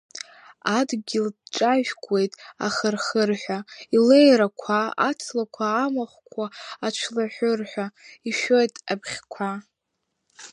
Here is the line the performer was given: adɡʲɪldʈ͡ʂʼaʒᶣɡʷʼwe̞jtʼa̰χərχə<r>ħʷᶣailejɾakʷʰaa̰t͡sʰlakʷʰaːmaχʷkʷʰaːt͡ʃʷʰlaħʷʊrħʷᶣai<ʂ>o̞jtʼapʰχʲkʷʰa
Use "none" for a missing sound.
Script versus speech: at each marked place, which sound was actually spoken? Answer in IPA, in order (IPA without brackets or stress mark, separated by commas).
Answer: r, ʃ